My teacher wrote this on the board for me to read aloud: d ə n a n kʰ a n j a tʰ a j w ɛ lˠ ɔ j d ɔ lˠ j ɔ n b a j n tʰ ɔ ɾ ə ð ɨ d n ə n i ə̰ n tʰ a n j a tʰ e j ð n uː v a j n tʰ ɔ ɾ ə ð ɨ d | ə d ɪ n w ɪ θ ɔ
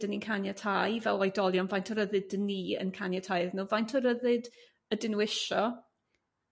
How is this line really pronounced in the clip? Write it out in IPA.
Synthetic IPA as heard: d ə n i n kʰ a n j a tʰ a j v ɛ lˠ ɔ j d ɔ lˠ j ɔ n v a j n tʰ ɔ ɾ ə ð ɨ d d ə n i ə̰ n kʰ a n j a tʰ a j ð n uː v a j n tʰ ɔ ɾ ə ð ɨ d | ə d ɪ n w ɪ ʃ ɔ